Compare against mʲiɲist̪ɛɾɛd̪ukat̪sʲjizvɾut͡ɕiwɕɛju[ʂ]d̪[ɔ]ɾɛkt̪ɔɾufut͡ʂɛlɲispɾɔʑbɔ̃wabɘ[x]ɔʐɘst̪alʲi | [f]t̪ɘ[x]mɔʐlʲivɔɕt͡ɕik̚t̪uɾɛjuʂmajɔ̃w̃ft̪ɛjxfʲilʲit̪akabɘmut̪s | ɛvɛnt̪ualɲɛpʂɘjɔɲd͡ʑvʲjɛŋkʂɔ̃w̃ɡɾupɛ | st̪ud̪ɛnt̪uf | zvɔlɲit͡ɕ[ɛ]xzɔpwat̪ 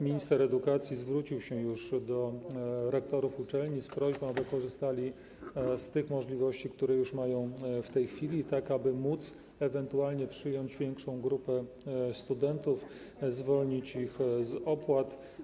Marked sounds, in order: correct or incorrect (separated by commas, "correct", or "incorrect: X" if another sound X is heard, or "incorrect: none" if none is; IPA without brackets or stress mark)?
correct, correct, incorrect: k, incorrect: s, correct, incorrect: i